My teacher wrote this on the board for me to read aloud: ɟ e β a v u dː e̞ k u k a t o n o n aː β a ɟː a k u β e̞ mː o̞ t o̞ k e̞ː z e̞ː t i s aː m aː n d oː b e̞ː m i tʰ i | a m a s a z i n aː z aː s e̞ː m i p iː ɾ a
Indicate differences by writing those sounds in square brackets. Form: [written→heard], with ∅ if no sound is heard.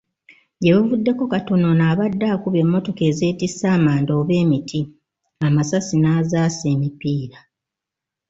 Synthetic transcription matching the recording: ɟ e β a v u dː e̞ k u k a t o n o n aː β a [ɟː→dː] a k u β e̞ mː o̞ t o̞ k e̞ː z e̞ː t i s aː m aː n d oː [b→β] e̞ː m i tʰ i | a m a s a [z→s] i n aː z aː s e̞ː m i p iː ɾ a